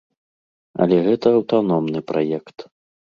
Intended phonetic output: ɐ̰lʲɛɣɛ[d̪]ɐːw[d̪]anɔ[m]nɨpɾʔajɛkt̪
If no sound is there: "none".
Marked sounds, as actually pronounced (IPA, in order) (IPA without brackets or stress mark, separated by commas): t̪, t̪, m